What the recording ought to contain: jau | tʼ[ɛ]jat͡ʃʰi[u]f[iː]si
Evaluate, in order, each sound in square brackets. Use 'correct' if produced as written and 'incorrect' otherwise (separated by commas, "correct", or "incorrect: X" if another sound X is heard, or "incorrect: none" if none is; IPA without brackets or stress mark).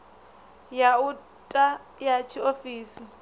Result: incorrect: a, incorrect: o, correct